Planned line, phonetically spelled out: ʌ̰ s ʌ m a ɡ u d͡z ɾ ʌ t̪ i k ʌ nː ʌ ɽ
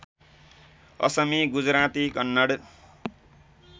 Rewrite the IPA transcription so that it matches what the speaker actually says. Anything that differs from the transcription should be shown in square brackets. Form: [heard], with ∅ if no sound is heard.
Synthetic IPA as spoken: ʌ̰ s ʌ m [i] ɡ u d͡z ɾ [a] t̪ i k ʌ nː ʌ ɽ